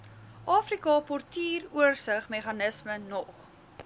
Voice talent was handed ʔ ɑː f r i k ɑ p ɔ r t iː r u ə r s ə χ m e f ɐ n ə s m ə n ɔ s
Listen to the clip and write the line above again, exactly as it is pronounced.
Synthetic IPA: ʔ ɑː f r i k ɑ p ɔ r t iː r u ə r s ə χ m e χ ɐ n ə s m ə n ɔ χ